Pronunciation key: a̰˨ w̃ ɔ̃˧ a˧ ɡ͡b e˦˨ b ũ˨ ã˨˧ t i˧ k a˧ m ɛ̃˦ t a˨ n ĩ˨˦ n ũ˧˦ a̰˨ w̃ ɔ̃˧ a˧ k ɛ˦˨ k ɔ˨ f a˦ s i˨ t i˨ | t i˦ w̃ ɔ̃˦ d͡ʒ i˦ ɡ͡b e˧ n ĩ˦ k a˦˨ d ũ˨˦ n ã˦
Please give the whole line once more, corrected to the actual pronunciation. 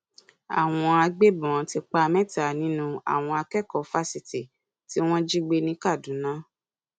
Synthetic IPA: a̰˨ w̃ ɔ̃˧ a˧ ɡ͡b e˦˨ b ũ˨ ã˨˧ t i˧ k͡p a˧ m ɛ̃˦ t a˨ n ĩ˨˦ n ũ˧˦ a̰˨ w̃ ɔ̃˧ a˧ k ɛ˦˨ k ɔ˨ f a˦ s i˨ t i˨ | t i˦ w̃ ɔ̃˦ d͡ʒ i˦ ɡ͡b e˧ n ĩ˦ k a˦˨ d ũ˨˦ n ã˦